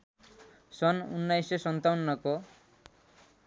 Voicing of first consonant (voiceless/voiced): voiceless